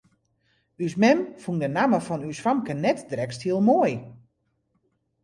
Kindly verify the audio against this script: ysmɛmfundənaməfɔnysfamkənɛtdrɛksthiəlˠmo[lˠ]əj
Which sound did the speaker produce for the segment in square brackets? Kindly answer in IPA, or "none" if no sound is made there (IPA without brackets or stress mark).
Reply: none